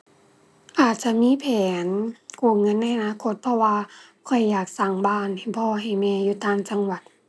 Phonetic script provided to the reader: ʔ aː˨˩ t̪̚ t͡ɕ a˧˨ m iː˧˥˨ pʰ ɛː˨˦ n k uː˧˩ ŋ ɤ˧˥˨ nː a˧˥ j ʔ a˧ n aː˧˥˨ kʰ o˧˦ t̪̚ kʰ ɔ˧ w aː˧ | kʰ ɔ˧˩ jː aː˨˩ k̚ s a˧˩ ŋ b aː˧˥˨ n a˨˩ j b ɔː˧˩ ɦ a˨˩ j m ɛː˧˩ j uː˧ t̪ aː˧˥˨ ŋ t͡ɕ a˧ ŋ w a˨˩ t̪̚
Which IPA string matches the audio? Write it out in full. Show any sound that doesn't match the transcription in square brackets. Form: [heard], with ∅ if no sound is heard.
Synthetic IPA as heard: ʔ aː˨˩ t̪̚ t͡ɕ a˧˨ m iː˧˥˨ pʰ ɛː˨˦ n k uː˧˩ ŋ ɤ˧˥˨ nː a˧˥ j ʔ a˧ n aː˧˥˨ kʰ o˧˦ t̪̚ [pʰ] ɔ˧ w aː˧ | kʰ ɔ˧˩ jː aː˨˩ k̚ s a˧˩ ŋ b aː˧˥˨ n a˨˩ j b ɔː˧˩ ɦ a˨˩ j m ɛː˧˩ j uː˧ t̪ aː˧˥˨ ŋ t͡ɕ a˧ ŋ w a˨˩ t̪̚

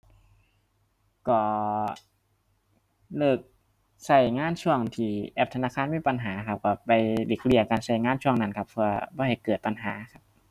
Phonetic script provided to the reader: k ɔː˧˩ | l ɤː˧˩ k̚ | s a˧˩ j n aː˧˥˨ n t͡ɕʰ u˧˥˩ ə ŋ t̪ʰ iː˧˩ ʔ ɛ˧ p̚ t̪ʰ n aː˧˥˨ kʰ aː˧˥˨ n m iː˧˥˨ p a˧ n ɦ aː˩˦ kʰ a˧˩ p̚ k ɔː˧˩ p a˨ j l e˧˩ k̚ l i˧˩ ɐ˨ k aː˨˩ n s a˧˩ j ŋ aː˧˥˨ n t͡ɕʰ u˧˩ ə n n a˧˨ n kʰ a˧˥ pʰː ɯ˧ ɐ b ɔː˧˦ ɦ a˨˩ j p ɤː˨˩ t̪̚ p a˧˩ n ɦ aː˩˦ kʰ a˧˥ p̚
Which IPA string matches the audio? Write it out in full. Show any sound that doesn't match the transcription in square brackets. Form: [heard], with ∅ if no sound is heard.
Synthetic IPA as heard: k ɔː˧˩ | l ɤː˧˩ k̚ | s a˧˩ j [ŋ] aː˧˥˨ n t͡ɕʰ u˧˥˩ ə ŋ t̪ʰ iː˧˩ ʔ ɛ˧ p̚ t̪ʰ n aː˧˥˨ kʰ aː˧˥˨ n m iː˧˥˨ p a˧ n ɦ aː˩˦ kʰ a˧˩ p̚ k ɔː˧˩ p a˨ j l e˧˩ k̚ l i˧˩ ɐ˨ k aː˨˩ n s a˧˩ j ŋ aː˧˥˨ n t͡ɕʰ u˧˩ ə [ŋ] n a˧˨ n kʰ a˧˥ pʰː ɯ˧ ɐ b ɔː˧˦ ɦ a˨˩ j [k] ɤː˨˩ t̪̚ p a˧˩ n ɦ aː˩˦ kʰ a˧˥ p̚

